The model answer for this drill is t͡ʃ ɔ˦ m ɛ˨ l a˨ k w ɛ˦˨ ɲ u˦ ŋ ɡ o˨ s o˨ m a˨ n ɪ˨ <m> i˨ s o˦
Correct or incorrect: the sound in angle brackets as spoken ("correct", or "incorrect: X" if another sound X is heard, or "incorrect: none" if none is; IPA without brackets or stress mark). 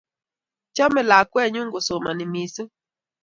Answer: correct